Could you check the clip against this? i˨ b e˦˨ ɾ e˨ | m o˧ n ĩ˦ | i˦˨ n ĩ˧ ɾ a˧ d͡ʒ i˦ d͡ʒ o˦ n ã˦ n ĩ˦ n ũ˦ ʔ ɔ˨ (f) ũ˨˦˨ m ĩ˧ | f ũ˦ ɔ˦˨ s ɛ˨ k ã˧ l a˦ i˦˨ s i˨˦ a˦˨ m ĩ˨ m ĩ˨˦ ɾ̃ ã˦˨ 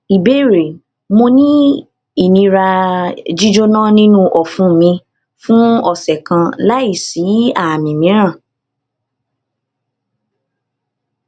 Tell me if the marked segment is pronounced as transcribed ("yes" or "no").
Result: yes